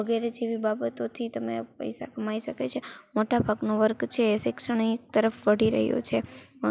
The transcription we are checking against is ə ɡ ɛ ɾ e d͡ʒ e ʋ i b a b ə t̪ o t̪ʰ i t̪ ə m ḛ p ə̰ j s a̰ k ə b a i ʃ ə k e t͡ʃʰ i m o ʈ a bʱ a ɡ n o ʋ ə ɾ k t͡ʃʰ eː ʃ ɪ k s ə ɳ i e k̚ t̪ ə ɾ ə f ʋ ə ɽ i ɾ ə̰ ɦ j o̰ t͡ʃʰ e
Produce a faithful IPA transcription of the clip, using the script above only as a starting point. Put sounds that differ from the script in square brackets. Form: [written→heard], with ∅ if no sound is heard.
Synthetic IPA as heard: ə ɡ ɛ ɾ e d͡ʒ e ʋ i b a b ə t̪ o t̪ʰ i t̪ ə m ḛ p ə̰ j s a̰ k ə [b→m] a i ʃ ə k e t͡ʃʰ [i→e] m o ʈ a bʱ a ɡ n o ʋ ə ɾ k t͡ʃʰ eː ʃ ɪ k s ə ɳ i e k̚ t̪ ə ɾ ə f ʋ ə ɽ i ɾ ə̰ ɦ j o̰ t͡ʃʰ e